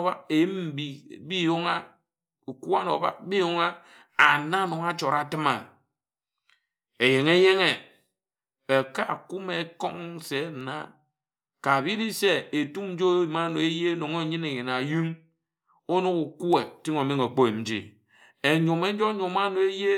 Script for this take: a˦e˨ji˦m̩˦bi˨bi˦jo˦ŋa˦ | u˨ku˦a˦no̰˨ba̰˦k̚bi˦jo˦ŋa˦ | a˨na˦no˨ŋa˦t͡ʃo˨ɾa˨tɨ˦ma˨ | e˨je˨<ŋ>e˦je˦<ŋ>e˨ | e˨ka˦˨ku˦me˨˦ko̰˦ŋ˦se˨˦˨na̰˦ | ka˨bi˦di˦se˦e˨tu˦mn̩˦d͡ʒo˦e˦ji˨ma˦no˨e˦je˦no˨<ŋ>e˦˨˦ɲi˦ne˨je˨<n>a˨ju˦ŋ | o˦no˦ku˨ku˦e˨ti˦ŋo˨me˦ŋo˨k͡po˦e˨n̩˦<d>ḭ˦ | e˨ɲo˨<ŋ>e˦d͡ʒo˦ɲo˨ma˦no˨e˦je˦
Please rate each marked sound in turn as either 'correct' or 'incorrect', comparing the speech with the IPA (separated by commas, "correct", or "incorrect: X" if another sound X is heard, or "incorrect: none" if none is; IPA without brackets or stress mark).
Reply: correct, correct, correct, correct, incorrect: d͡ʒ, incorrect: m